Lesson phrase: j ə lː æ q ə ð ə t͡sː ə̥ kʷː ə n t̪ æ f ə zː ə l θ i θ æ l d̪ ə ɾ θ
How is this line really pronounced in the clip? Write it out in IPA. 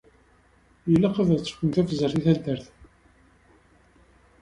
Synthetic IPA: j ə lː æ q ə ð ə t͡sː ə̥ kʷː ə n t̪ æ f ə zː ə ɾ θ i θ æ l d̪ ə ɾ θ